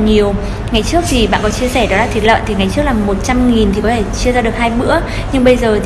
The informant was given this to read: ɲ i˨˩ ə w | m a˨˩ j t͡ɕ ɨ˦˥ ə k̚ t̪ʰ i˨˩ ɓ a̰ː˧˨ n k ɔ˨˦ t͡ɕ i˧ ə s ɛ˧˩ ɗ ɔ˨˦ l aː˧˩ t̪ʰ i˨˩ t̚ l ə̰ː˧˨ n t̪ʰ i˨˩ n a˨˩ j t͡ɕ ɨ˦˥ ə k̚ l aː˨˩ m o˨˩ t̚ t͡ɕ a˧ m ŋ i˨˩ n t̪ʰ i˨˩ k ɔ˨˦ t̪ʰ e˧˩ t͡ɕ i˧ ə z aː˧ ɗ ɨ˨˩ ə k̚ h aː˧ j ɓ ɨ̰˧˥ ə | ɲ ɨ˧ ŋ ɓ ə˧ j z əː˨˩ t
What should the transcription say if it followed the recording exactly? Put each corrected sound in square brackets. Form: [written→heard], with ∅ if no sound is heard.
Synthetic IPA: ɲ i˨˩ ə w | [m→ŋ] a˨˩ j t͡ɕ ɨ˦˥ ə k̚ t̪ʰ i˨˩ ɓ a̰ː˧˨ n k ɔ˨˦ t͡ɕ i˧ ə s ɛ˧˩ ɗ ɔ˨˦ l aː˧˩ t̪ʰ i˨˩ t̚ l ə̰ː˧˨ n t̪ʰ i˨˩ [n→ŋ] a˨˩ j t͡ɕ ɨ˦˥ ə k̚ l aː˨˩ m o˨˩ t̚ t͡ɕ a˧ m ŋ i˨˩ n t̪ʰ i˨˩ k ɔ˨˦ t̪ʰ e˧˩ t͡ɕ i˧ ə z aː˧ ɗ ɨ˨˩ ə k̚ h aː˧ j ɓ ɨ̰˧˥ ə | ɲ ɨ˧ ŋ ɓ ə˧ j z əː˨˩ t

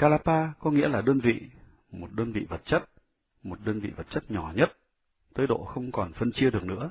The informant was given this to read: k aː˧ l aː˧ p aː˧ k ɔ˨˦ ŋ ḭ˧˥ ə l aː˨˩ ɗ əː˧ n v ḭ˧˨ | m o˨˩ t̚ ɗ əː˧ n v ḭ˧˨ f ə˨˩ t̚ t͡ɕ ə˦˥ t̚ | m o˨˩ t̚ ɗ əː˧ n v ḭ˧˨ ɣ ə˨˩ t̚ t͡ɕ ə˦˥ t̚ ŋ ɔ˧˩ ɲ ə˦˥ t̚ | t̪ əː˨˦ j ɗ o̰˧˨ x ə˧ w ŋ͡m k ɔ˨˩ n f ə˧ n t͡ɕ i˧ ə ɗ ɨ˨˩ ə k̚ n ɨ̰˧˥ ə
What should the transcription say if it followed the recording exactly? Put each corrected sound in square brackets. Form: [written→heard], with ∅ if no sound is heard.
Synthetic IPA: k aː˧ l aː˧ p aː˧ k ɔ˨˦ ŋ ḭ˧˥ ə l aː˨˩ ɗ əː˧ n v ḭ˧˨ | m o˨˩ t̚ ɗ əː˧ n v ḭ˧˨ [f→v] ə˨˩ t̚ t͡ɕ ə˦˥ t̚ | m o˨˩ t̚ ɗ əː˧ n v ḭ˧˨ [ɣ→v] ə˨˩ t̚ t͡ɕ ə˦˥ t̚ [ŋ→ɲ] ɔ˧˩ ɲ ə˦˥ t̚ | t̪ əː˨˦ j ɗ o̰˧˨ x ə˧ w ŋ͡m k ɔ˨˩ n f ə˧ n t͡ɕ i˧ ə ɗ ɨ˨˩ ə k̚ n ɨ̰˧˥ ə

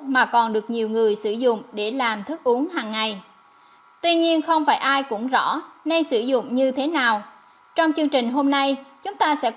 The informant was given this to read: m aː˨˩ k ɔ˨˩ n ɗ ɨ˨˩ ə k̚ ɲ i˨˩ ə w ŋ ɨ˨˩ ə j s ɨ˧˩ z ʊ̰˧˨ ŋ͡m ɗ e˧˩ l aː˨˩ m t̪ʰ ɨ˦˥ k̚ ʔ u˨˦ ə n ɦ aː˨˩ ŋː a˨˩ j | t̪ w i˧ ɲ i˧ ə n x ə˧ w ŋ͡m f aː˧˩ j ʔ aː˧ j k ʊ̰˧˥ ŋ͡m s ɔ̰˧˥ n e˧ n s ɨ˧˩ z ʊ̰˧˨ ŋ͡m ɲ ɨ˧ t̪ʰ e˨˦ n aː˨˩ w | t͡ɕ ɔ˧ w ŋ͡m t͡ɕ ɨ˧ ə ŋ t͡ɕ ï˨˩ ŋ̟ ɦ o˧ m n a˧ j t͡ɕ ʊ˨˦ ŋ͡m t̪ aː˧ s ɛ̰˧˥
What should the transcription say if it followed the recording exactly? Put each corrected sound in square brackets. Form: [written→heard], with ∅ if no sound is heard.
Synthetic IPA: m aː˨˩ k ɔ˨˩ n ɗ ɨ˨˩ ə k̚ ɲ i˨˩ ə w ŋ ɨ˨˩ ə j s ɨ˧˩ z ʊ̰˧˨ ŋ͡m ɗ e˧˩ l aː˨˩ m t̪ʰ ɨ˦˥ k̚ ʔ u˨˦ ə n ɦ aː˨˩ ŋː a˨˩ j | t̪ w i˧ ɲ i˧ ə n x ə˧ w ŋ͡m f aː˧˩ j ʔ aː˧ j k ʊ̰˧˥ ŋ͡m [s→z] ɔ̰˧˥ n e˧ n s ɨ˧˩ z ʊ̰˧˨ ŋ͡m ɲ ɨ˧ t̪ʰ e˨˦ n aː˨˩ w | t͡ɕ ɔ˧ w ŋ͡m t͡ɕ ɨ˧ ə ŋ t͡ɕ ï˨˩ ŋ̟ ɦ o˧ m n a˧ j t͡ɕ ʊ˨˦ ŋ͡m t̪ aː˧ s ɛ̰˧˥

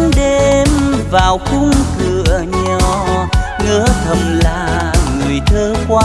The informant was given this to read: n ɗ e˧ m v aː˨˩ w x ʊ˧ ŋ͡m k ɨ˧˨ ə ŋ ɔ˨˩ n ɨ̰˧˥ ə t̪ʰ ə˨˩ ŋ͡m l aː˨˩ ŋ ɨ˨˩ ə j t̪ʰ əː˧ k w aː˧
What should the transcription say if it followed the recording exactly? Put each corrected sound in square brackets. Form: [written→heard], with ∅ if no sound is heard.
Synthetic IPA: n ɗ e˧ m v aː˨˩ w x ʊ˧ ŋ͡m k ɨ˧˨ ə [ŋ→ɲ] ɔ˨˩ [n→ŋ] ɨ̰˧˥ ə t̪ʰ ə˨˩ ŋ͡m l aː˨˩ ŋ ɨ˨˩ ə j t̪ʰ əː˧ k w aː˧

